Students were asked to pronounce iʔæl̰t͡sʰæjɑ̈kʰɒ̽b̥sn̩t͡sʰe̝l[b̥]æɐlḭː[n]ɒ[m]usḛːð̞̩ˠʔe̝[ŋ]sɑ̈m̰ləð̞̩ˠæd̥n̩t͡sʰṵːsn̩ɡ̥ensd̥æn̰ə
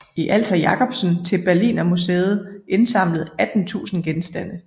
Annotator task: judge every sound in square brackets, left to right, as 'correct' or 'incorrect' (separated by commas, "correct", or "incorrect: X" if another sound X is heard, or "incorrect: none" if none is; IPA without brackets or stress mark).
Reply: correct, correct, correct, incorrect: n